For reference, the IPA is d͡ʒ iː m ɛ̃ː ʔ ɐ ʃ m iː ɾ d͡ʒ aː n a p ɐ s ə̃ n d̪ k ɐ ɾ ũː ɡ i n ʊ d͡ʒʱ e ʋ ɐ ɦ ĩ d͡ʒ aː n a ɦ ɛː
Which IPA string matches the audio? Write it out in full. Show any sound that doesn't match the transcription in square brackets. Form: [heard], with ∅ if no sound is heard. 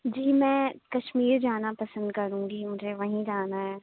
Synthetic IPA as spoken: d͡ʒ iː m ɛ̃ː [k] ɐ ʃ m iː ɾ d͡ʒ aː n a p ɐ s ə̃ n d̪ k ɐ ɾ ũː ɡ i [m] ʊ d͡ʒʱ e ʋ ɐ ɦ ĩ d͡ʒ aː n a ɦ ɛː